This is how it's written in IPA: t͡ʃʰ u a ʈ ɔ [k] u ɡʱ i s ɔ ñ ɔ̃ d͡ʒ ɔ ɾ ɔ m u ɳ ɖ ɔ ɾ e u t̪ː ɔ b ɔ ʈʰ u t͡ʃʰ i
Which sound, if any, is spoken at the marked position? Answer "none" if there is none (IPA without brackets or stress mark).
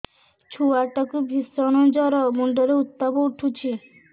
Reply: k